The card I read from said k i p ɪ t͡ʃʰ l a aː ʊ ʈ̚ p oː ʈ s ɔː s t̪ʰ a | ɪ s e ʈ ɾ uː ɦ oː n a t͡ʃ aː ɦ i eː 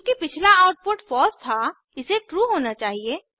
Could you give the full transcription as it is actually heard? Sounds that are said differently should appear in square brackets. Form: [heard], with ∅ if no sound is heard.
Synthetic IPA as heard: k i p ɪ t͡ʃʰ l a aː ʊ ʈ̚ p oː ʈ [f] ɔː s t̪ʰ a | ɪ s e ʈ ɾ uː ɦ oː n a t͡ʃ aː ɦ i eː